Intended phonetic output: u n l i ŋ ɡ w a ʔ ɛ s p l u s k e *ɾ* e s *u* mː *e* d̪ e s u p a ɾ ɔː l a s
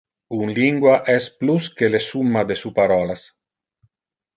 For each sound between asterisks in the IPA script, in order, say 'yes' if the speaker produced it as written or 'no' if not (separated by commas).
no, yes, no